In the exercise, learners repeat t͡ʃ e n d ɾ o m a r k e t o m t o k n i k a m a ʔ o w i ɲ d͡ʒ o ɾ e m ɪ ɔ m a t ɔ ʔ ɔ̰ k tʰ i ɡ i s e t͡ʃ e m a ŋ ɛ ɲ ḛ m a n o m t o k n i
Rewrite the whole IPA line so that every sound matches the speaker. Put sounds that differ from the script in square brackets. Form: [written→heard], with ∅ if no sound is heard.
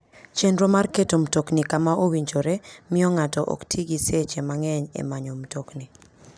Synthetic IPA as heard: t͡ʃ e n d ɾ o m a r k e t o m t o k n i k a m a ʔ o w i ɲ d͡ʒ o ɾ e m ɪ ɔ [m→ŋ] a t ɔ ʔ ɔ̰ k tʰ i ɡ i s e t͡ʃ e m a ŋ ɛ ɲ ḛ m a [n→ɲ] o m t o k n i